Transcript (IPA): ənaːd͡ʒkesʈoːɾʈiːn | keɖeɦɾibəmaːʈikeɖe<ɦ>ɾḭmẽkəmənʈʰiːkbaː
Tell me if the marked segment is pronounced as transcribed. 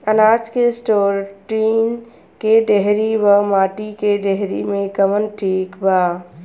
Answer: yes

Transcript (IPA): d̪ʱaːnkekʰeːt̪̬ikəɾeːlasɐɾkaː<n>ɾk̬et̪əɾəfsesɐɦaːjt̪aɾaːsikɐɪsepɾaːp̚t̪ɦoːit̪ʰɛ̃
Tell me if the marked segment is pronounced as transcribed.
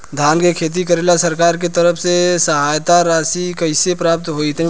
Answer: no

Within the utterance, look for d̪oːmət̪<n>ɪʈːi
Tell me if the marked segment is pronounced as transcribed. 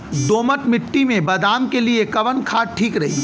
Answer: no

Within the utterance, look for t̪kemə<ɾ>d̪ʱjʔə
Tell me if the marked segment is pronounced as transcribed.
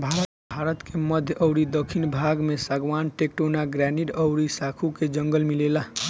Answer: no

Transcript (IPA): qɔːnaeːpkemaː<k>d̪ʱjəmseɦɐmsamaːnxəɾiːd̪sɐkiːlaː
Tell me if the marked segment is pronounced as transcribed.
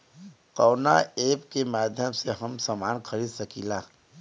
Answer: no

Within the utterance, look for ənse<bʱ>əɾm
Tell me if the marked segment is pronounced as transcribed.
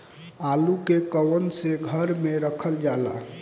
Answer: no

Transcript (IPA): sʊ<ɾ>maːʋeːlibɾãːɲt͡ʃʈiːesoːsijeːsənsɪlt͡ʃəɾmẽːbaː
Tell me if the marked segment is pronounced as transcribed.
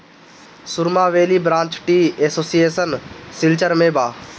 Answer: yes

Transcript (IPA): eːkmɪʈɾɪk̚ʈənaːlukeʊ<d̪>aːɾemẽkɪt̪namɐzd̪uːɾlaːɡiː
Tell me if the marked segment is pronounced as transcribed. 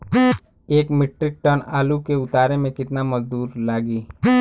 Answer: no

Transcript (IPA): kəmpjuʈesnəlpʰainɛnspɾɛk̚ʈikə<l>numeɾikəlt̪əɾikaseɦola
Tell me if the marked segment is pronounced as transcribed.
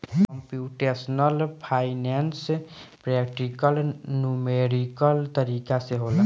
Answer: yes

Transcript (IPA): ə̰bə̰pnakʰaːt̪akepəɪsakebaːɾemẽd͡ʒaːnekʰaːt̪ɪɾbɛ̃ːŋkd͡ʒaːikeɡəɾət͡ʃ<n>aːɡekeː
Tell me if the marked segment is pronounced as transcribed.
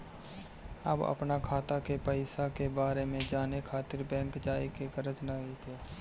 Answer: yes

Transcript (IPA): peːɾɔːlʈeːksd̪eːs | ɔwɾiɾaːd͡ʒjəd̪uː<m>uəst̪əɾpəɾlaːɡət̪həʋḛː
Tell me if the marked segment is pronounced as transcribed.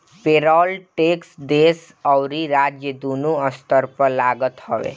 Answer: no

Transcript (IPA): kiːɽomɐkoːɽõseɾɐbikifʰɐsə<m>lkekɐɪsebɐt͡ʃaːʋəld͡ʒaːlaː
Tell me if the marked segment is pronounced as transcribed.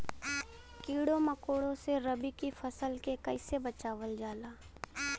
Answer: no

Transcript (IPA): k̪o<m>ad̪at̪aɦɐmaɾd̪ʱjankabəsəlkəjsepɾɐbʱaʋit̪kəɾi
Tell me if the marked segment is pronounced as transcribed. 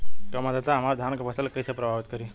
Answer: yes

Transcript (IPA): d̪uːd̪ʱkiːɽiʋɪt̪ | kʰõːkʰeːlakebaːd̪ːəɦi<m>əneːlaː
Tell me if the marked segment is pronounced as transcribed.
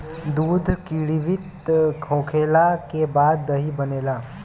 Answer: no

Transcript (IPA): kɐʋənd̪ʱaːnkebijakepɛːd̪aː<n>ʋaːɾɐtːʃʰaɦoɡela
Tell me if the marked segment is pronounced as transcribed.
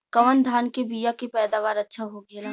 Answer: no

